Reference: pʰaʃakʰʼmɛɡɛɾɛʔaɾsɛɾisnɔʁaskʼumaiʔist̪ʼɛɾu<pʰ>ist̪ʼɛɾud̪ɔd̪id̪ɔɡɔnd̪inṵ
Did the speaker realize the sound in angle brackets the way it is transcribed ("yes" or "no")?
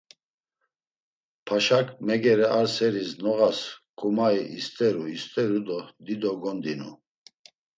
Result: no